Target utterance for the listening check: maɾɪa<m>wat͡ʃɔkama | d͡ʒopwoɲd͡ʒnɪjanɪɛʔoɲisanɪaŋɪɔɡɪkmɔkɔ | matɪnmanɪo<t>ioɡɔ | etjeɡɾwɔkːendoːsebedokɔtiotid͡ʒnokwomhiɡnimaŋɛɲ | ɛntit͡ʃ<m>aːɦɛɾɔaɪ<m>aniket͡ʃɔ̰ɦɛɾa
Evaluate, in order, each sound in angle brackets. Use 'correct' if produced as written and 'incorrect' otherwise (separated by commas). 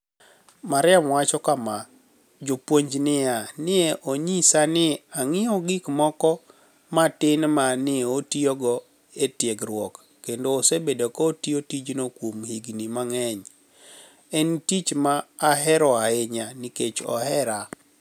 correct, correct, correct, incorrect